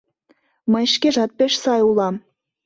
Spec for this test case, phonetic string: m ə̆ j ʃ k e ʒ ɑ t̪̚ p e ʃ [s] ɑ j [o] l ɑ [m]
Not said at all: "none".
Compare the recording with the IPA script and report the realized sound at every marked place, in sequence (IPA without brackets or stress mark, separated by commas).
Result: s, u, m